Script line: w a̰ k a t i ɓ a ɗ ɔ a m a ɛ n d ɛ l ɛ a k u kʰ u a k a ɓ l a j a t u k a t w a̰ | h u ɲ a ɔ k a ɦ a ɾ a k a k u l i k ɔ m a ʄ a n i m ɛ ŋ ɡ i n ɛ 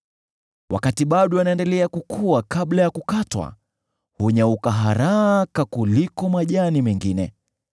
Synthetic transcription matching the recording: w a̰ k a t i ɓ a ɗ ɔ a n a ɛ n d ɛ l ɛ a k u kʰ u a k a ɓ l a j a k u k a t w a̰ | h u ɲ a u k a ɦ a ɾ a k a k u l i k ɔ m a ʄ a n i m ɛ ŋ ɡ i n ɛ